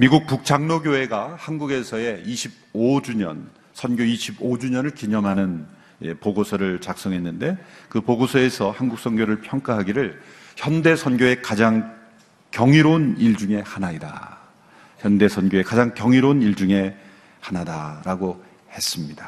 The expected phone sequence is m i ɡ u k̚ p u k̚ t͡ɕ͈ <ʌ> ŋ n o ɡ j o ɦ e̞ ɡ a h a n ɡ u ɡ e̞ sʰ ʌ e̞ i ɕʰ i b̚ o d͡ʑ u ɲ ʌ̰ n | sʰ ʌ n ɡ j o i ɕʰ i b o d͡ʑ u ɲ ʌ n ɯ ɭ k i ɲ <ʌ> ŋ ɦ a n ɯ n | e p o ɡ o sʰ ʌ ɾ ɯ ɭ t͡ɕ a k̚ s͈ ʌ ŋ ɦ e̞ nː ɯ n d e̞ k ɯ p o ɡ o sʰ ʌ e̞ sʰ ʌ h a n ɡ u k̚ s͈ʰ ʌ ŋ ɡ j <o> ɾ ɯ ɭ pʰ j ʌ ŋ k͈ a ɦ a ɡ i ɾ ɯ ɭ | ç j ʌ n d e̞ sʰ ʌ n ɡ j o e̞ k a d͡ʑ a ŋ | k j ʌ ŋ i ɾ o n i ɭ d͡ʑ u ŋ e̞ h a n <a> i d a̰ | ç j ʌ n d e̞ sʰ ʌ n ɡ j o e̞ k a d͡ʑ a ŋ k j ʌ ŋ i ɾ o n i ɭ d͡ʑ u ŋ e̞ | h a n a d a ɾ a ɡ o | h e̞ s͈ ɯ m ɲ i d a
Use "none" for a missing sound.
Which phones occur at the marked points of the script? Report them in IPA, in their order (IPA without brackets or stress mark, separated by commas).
a, ʌ, o, a